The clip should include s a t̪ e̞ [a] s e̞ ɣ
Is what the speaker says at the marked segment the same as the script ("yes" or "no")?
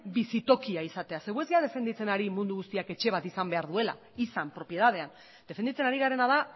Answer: yes